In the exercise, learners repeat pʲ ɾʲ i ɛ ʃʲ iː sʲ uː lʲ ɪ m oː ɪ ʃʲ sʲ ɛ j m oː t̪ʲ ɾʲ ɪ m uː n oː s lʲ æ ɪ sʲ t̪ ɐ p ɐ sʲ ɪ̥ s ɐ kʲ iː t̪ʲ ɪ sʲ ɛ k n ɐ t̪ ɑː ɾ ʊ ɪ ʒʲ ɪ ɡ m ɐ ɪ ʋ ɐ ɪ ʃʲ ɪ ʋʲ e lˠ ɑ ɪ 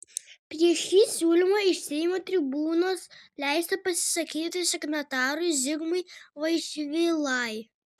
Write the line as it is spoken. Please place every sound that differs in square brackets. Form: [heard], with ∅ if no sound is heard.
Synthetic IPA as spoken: pʲ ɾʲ i ɛ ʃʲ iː sʲ uː lʲ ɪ m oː ɪ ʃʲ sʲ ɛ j m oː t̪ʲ ɾʲ ɪ [b] uː n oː s lʲ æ ɪ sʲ t̪ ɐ p ɐ sʲ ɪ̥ s ɐ kʲ iː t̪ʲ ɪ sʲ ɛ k n ɐ t̪ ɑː ɾ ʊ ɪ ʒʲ ɪ ɡ m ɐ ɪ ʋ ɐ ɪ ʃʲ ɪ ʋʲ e lˠ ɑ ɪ